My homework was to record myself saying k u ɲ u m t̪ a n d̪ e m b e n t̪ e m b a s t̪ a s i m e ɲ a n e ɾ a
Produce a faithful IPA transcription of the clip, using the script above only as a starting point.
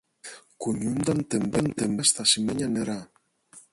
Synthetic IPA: k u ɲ u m d̪ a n t̪ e m b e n t̪ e m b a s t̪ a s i m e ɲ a n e ɾ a